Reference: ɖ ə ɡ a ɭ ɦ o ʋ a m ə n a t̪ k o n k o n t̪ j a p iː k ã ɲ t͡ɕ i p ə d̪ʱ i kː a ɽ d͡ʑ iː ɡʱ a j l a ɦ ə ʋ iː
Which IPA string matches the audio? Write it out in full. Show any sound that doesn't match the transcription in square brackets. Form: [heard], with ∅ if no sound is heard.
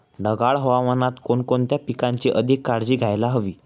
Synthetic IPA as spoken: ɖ ə ɡ a ɭ ɦ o ʋ a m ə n a t̪ k o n k o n t̪ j a p [i] k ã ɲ t͡ɕ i [ʔ] ə d̪ʱ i kː a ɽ d͡ʑ iː ɡʱ a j l a ɦ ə ʋ iː